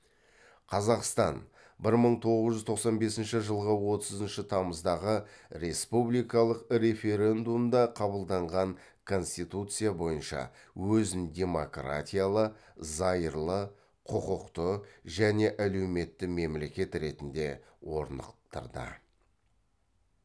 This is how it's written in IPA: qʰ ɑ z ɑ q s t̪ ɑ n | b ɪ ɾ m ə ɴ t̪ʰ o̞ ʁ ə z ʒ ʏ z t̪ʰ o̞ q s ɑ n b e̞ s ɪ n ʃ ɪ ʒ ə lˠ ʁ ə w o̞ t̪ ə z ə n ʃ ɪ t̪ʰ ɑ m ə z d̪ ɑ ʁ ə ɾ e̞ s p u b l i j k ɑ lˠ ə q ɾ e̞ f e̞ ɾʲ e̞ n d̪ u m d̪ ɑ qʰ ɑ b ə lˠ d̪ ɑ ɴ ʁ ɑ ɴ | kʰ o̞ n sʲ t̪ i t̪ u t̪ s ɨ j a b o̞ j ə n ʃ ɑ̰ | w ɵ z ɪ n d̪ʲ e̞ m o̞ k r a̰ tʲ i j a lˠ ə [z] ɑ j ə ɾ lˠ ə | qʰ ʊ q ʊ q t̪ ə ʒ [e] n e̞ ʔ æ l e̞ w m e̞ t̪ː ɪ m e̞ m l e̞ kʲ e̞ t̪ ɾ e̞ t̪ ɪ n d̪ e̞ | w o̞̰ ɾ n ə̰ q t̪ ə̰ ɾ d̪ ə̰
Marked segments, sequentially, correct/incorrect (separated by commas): correct, incorrect